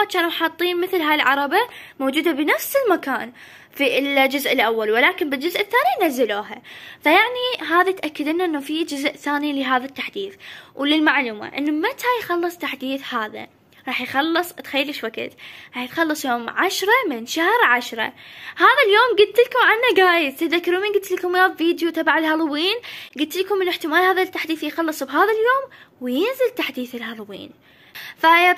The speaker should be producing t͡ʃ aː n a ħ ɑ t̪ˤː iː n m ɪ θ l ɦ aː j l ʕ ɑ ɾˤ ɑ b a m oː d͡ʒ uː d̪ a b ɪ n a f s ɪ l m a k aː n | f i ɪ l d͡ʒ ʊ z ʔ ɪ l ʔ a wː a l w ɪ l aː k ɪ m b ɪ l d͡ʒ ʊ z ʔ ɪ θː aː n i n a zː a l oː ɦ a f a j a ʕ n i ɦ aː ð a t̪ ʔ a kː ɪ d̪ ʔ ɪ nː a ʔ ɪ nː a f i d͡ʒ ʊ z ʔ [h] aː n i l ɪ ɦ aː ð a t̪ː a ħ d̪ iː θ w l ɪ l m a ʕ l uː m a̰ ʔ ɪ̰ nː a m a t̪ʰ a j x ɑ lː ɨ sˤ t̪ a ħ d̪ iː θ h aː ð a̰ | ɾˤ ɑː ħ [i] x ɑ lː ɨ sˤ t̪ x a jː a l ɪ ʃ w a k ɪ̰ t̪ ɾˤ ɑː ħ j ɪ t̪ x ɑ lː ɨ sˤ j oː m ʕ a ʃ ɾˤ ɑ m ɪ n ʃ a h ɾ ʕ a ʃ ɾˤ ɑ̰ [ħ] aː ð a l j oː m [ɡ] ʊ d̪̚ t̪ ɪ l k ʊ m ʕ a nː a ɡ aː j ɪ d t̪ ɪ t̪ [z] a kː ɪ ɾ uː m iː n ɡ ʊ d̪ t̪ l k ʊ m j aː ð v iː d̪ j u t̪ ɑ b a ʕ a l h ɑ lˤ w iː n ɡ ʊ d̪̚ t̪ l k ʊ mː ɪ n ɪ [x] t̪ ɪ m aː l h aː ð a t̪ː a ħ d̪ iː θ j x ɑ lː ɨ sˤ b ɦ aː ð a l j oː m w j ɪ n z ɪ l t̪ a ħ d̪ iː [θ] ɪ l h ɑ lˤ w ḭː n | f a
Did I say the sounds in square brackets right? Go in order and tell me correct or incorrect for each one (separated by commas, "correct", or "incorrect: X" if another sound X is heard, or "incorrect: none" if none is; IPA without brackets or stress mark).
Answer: incorrect: θ, incorrect: j, incorrect: h, correct, incorrect: ð, incorrect: ħ, correct